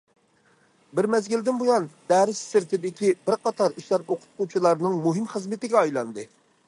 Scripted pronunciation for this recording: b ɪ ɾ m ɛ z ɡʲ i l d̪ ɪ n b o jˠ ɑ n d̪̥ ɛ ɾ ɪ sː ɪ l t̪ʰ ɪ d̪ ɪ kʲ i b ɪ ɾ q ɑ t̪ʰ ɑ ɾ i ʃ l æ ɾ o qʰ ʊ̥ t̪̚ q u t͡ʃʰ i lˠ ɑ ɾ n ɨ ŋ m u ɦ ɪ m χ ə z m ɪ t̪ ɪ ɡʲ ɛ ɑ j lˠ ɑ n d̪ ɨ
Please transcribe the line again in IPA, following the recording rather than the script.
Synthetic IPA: b ɪ ɾ m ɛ z ɡʲ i l d̪ ɪ n b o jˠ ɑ n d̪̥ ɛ ɾ ɪ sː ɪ ɾ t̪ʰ ɪ d̪ ɪ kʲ i b ɪ ɾ q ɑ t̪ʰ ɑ ɾ i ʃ l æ ɾ o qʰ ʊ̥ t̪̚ q u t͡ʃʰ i lˠ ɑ ɾ n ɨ ŋ m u ɦ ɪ m χ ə z m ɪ t̪ ɪ ɡʲ ɛ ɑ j lˠ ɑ n d̪ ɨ